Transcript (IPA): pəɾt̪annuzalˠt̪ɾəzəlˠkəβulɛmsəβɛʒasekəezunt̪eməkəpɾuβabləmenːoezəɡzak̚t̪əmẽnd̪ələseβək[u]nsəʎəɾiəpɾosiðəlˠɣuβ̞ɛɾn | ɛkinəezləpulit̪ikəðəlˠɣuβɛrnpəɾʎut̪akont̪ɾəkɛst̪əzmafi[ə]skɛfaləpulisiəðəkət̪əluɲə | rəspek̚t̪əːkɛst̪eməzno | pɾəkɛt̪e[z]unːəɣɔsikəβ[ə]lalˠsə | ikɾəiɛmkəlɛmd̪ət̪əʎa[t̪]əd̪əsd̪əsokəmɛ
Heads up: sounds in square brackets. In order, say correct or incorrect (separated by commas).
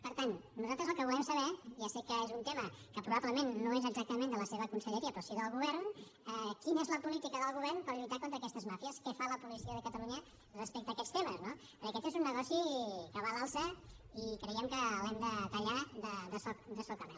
correct, correct, correct, incorrect, incorrect